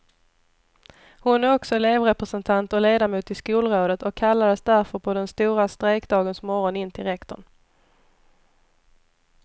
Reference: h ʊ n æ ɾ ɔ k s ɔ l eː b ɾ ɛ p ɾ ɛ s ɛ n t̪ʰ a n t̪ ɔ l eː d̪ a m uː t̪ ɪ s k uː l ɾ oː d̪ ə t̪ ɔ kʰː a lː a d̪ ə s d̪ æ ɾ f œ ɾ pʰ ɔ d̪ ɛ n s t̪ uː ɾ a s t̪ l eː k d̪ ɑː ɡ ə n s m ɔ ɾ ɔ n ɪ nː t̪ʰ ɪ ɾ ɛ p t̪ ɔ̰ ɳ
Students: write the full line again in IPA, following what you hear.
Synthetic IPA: h ʊ n æ ɾ ɔ k s ɔ l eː v ɾ ɛ p ɾ ɛ s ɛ n t̪ʰ a n t̪ ɔ l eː d̪ a m uː t̪ ɪ s k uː l ɾ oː d̪ ə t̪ ɔ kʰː a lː a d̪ ə s d̪ æ ɾ f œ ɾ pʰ ɔ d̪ ɛ n s t̪ uː ɾ a s t̪ ɾ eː k d̪ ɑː ɡ ə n s m ɔ ɾ ɔ n ɪ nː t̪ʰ ɪ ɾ ɛ k t̪ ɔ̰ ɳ